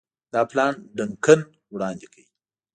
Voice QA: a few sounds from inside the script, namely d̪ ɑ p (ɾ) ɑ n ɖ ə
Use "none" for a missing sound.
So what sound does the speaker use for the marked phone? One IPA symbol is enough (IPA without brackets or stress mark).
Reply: l